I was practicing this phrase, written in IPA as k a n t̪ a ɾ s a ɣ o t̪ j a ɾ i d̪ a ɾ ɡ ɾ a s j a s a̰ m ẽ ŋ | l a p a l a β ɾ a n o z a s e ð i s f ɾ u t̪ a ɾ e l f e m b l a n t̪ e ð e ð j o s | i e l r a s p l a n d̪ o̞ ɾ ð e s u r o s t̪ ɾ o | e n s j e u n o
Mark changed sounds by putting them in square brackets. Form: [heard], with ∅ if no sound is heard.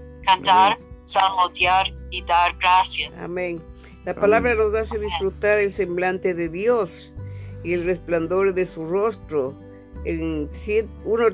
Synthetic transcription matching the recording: k a n t̪ a ɾ s a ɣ o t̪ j a ɾ i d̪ a ɾ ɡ ɾ a s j a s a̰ m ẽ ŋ | l a p a l a β ɾ a n o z a s e ð i s f ɾ u t̪ a ɾ e l [s] e m b l a n t̪ e ð e ð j o s | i e l r [e] s p l a n d̪ o̞ ɾ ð e s u r o s t̪ ɾ o | e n s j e u n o